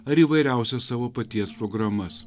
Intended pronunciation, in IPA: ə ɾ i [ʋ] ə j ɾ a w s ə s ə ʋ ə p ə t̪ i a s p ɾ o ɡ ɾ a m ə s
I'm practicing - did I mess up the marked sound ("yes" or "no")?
no